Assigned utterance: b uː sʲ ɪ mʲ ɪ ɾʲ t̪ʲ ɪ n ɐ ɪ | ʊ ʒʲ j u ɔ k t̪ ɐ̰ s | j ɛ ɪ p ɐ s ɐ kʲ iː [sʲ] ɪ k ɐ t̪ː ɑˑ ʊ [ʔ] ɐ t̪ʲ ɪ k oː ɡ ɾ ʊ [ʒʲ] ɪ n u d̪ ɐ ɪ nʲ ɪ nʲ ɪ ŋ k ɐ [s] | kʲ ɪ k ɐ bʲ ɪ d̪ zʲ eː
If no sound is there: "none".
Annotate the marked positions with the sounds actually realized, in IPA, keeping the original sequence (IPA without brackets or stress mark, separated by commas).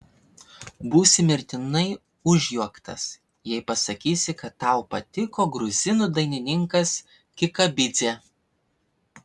sʲ, p, zʲ, s